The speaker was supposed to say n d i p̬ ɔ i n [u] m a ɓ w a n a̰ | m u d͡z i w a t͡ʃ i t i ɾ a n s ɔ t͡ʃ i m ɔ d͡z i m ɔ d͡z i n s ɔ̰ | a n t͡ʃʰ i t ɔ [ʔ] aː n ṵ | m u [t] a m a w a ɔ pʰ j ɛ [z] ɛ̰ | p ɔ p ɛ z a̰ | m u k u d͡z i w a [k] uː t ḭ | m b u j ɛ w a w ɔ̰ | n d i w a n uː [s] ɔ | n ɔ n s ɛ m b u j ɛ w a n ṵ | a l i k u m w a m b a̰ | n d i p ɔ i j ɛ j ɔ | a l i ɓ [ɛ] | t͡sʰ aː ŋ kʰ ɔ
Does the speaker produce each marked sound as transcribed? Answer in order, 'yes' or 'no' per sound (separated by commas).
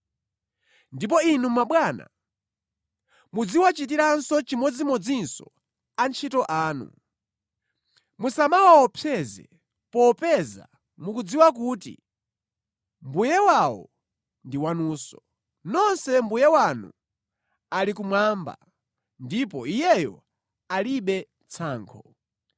yes, yes, no, yes, yes, yes, yes